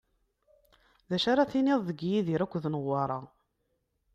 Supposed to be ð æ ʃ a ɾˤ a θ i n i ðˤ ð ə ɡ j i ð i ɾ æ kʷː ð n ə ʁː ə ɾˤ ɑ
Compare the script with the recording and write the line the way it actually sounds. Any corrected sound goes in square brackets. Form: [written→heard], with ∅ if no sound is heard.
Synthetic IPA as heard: ð æ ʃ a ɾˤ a θ i n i ðˤ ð ə ɡ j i ð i ɾ æ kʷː ð n ə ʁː [ə→ɑ] ɾˤ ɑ